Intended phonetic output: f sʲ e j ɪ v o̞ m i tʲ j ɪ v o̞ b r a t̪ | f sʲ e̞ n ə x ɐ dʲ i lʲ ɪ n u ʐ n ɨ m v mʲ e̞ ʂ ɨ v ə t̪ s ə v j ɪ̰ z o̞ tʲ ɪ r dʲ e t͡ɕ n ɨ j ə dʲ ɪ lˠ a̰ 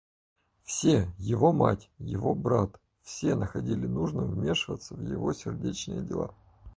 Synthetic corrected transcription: f sʲ e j ɪ v o̞ m a tʲ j ɪ v o̞ b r a t̪ | f sʲ e̞ n ə x ɐ dʲ i lʲ ɪ n u ʐ n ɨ m v mʲ e̞ ʂ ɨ v ə t̪ s ə v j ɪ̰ v o̞ sʲ ɪ r dʲ e t͡ɕ n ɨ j ə dʲ ɪ lˠ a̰